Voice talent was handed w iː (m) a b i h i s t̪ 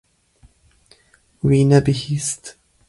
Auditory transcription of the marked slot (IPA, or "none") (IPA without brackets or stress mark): n